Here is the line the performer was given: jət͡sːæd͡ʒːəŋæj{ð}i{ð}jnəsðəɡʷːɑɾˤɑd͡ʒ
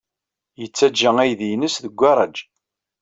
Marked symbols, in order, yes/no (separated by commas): yes, no